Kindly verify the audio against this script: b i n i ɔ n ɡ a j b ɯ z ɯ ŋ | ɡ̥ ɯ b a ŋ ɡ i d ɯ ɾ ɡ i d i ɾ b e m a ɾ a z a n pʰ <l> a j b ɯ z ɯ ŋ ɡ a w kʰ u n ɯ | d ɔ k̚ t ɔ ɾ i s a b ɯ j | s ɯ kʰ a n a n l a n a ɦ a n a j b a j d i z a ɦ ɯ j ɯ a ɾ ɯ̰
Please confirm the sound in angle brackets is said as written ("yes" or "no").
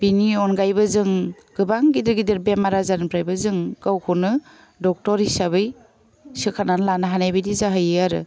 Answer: no